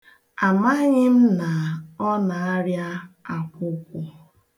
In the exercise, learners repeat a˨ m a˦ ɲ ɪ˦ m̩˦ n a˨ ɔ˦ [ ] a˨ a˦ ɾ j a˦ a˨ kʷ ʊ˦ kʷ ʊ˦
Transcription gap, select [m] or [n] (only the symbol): n